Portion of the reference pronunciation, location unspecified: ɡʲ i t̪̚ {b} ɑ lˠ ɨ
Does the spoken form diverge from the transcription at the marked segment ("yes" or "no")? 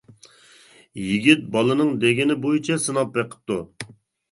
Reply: no